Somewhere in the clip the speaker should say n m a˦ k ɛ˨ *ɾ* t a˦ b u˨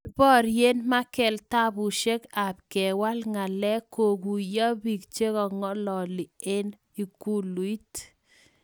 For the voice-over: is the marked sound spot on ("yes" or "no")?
no